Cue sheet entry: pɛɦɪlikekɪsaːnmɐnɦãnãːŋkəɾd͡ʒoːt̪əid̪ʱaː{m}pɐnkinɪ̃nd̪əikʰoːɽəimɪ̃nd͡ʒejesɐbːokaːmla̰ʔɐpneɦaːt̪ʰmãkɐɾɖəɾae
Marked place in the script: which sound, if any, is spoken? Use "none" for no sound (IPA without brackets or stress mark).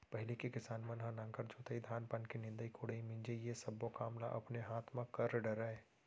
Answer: n